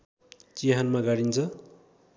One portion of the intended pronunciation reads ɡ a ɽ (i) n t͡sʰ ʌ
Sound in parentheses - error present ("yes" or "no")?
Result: no